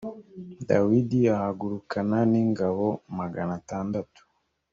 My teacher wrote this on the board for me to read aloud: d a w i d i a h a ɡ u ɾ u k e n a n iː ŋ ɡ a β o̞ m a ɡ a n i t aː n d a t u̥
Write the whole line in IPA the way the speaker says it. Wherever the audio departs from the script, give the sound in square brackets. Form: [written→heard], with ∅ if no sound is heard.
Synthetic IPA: d a w i d i a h a ɡ u ɾ u k [e→a] n a n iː ŋ ɡ a β o̞ m a ɡ a n [i→a] t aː n d a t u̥